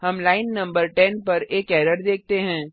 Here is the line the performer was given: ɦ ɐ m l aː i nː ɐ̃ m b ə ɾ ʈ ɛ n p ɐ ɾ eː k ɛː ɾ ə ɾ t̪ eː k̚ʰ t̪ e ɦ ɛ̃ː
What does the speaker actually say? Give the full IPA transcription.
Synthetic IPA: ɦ ɐ m l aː ɪ nː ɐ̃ m b ə ɾ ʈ ɛ n p ɐ ɾ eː k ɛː ɾ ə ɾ d̪ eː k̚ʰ t̪ e ɦ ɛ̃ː